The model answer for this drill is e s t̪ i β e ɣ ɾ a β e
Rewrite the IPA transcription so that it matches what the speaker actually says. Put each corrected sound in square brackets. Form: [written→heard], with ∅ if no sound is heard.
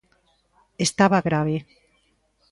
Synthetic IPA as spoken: e s t̪ [i→a] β [e→a] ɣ ɾ a β e